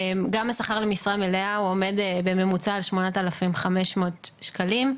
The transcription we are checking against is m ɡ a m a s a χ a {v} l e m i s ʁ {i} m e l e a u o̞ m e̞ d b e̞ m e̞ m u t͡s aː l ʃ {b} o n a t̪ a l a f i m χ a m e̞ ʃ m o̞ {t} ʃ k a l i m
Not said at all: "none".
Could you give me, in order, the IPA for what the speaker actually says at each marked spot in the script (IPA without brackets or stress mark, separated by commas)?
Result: ʁ, a, m, t